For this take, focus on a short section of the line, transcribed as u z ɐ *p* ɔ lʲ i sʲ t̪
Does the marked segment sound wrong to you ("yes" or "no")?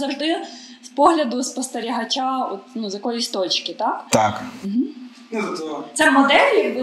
yes